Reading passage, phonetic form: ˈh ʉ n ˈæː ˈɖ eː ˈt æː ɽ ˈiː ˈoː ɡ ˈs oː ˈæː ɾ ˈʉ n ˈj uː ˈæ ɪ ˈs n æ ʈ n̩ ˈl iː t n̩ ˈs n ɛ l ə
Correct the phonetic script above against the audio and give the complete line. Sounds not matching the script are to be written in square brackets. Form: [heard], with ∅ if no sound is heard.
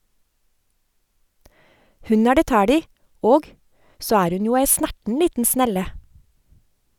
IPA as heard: ˈh ʉ n ˈæː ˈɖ eː ˈt æː ɽ ˈiː ˈoː ɡ ˈs oː ˈæː ɾ ˈʉ n ˈj uː ˈæ ɪ ˈs n æ ʈ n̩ ˈl iː t n̩ ˈs n ɛ l ə